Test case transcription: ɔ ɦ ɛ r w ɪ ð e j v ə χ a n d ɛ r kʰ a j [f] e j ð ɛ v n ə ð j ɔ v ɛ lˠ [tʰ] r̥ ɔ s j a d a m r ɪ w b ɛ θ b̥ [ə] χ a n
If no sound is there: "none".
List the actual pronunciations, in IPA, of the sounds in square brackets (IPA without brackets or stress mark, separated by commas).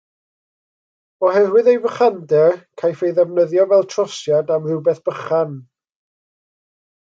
f, tʰ, ə